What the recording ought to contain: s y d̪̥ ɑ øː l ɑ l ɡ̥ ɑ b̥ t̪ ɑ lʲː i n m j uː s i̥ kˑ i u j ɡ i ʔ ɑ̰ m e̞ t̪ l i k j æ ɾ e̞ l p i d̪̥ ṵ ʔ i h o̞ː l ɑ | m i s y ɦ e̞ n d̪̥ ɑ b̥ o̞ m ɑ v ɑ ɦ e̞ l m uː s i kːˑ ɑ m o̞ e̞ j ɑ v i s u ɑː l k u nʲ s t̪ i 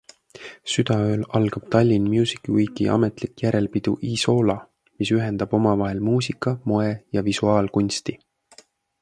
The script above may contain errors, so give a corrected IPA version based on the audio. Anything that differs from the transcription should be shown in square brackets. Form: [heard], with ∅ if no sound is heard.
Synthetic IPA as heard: s y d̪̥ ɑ øː l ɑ l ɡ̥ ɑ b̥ t̪ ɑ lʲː i n m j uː s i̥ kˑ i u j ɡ i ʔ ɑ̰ m e̞ t̪ l i k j æ ɾ e̞ l p i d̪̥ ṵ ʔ i [s] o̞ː l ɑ | m i s y ɦ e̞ n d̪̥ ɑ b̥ o̞ m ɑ v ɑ ɦ e̞ l m uː s i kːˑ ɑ m o̞ e̞ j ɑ v i s u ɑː l k u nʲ s t̪ i